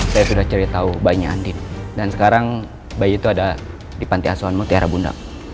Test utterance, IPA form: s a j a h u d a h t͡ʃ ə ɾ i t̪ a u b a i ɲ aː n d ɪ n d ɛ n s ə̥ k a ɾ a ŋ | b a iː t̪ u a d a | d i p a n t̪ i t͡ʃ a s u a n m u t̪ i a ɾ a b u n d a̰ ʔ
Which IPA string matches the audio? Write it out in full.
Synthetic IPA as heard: s a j a s u d a h t͡ʃ ə ɾ i t̪ a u b a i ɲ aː n d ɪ n d a n s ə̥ k a ɾ a ŋ | b a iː t̪ u a d a | d i p a n t̪ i a s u a n m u t̪ i a ɾ a b u n d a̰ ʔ